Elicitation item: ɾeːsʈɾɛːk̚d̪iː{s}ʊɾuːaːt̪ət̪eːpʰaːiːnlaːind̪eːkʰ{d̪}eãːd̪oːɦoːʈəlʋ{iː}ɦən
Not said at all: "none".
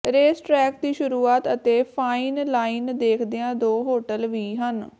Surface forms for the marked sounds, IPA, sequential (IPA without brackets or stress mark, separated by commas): ʃ, d̪, iː